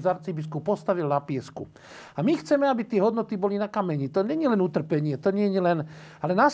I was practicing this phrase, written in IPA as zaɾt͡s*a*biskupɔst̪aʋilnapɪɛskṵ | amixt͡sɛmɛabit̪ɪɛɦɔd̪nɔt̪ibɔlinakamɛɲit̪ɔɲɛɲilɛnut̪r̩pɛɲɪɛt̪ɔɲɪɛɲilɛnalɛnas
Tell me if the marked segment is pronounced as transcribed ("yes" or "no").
no